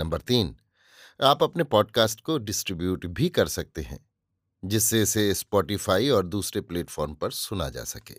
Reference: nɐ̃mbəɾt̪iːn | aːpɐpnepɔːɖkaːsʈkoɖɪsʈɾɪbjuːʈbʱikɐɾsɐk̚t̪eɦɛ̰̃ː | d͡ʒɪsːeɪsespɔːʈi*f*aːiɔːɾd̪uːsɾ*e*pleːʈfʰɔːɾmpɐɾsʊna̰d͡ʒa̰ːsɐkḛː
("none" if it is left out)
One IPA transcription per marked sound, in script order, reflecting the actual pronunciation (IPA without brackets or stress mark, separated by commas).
f, e